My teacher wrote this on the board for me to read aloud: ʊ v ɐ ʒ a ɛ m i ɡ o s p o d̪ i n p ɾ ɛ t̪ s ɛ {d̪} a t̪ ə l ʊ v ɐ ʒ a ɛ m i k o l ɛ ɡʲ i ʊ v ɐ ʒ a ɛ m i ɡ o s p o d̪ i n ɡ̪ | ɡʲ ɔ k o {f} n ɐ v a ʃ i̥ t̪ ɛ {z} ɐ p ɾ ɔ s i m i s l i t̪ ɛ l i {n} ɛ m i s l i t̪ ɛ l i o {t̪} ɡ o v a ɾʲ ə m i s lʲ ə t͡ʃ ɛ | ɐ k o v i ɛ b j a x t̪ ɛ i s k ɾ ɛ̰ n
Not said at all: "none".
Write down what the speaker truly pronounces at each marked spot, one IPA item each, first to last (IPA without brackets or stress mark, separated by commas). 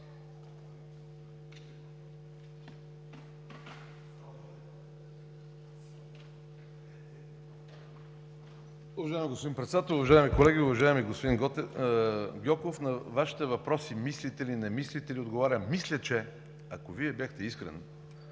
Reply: d̪, f, v, n, d̪